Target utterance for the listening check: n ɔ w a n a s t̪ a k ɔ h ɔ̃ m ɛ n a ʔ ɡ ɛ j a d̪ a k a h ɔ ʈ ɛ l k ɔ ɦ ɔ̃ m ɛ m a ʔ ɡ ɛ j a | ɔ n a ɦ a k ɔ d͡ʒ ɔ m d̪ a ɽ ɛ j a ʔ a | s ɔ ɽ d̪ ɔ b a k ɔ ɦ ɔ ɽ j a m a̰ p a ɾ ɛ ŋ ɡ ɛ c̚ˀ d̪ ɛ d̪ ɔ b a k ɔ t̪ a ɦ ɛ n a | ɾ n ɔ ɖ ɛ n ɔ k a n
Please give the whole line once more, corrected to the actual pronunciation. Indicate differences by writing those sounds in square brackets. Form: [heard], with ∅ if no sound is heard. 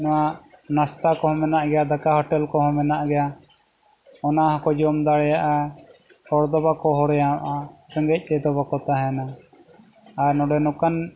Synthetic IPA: n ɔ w a n a s t̪ a k ɔ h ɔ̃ m ɛ n a ʔ ɡ ɛ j a d̪ a k a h ɔ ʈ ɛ l k ɔ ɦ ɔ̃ m ɛ [n] a ʔ ɡ ɛ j a | ɔ n a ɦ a k ɔ d͡ʒ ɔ m d̪ a ɽ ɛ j a ʔ a | [h] ɔ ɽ d̪ ɔ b a k ɔ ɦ ɔ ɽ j a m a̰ [ʔ] a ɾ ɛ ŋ ɡ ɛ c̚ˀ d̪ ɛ d̪ ɔ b a k ɔ t̪ a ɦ ɛ n a | ɾ n ɔ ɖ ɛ n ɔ k a n